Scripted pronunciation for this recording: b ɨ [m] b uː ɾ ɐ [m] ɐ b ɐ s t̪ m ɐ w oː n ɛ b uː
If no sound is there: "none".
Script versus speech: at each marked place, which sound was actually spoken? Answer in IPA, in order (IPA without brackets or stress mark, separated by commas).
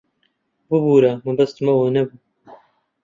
none, m